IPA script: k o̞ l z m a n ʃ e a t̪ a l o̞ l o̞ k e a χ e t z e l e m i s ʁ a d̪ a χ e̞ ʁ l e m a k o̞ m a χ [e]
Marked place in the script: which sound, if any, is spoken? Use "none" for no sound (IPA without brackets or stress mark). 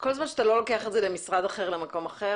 e